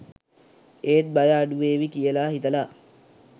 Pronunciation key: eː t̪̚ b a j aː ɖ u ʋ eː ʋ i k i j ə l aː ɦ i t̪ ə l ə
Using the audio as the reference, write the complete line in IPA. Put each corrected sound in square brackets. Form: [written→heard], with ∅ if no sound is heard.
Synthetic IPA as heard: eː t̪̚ b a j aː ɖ u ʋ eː ʋ i k i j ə l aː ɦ i t̪ ə l [ə→a]